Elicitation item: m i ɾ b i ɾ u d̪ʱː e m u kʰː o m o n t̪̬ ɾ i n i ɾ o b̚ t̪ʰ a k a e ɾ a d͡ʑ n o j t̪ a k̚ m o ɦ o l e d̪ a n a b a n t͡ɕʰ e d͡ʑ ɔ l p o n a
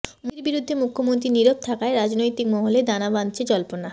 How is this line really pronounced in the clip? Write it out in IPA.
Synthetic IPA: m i ɾ b i ɾ u d̪ʱː e m u kʰː o m o n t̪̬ ɾ i n i ɾ o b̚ t̪ʰ a k a e ɾ a d͡ʑ n o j t̪ i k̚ m ɔ ɦ o l e d̪ a n a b a n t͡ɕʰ e d͡ʑ ɔ l p o n a